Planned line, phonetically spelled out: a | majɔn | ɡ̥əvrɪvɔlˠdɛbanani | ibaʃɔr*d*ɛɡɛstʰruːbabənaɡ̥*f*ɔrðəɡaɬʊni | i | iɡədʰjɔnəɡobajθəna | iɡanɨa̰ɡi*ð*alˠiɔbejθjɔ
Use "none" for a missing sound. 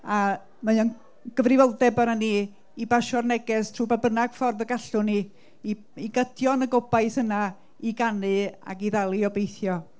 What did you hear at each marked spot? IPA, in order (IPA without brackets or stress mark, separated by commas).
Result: n, f, ð